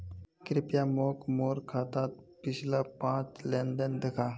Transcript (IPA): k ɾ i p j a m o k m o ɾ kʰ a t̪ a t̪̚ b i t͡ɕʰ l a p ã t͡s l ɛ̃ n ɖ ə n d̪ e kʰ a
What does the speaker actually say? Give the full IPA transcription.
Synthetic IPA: k ɾ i p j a m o k m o ɾ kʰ a t̪ a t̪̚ p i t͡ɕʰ l a p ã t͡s l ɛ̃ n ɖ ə n d̪ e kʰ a